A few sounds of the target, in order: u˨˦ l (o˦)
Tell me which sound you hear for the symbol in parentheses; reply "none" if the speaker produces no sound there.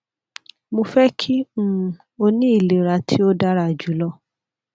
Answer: ɔ˦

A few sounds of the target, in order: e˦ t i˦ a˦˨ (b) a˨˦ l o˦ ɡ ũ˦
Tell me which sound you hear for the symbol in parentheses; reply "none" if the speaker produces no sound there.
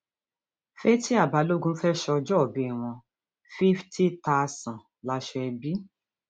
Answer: b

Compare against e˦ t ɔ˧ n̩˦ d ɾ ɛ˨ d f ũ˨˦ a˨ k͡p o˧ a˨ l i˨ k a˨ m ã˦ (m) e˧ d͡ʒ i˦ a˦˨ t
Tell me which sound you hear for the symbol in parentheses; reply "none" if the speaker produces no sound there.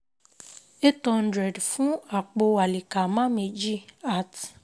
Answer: m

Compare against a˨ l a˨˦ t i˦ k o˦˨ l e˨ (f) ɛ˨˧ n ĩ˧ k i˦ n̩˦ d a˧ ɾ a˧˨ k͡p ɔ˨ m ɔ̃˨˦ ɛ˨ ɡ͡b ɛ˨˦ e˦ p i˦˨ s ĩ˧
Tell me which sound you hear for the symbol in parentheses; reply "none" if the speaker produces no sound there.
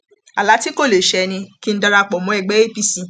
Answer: ʃ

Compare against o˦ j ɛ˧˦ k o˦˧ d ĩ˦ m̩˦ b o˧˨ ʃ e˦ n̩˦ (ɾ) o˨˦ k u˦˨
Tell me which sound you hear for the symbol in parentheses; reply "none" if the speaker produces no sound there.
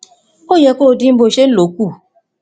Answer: l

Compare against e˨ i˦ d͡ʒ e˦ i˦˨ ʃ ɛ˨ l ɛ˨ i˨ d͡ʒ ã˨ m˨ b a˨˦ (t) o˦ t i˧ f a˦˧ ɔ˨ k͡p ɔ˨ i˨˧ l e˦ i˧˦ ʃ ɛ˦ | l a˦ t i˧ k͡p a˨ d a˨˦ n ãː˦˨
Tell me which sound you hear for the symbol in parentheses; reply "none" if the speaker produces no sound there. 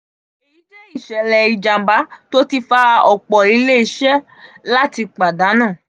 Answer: t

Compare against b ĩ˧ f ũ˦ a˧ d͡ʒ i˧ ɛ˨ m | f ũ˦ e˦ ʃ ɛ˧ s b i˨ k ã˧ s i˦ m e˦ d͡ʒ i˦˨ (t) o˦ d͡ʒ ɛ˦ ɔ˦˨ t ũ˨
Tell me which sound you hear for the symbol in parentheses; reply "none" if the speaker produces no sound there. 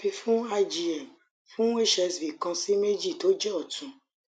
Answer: t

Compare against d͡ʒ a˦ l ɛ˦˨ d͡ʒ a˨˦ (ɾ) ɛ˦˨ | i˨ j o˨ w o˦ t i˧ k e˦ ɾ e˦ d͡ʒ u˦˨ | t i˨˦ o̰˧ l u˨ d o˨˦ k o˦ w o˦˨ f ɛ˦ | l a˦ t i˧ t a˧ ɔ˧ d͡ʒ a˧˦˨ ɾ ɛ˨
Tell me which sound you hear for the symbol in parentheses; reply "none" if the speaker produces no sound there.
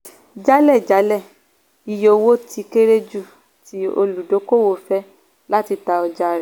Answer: l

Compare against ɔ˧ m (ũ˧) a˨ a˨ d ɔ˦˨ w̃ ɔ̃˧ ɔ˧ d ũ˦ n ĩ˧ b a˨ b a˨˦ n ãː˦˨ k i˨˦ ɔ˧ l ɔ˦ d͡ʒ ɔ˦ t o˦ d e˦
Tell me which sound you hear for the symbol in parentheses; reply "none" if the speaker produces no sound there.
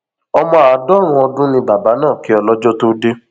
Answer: ɔ̃˧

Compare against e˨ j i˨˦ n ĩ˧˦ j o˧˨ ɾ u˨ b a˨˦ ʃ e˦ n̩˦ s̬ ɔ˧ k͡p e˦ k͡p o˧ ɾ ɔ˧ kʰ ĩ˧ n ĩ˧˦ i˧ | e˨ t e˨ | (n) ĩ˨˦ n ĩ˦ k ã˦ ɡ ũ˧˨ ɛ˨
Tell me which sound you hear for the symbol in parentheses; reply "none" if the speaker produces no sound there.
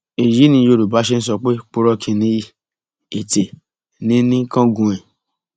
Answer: n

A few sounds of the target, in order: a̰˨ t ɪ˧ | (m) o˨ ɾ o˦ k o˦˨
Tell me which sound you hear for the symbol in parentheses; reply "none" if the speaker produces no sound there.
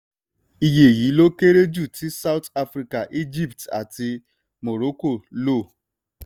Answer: m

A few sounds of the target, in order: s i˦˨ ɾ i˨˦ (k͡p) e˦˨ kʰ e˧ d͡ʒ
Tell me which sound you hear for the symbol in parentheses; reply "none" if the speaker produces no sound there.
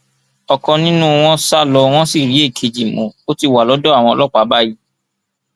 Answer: none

